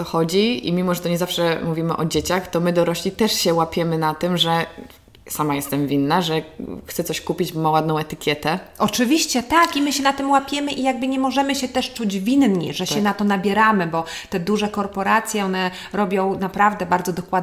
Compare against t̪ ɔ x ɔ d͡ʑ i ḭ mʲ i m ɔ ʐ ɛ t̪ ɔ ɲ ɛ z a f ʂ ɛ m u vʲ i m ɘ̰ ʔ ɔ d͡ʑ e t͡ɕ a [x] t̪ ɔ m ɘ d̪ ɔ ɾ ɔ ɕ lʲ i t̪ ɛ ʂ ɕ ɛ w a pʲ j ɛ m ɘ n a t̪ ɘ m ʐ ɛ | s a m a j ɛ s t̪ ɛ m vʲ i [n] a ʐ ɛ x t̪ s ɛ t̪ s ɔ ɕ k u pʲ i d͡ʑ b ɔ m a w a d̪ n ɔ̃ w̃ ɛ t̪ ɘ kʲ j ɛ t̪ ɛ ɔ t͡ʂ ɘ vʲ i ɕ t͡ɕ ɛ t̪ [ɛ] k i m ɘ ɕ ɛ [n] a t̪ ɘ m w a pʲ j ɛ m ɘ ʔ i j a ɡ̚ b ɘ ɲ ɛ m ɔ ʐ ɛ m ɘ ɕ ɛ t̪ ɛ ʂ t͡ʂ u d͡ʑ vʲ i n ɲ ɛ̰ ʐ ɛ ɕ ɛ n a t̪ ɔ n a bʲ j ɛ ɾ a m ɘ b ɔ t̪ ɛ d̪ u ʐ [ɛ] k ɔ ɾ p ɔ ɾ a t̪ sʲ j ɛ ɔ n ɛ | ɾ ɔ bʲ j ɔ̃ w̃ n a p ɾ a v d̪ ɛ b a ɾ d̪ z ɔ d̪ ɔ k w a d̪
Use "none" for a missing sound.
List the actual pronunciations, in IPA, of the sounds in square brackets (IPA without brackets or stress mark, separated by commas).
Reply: x, nː, a, n, ɛ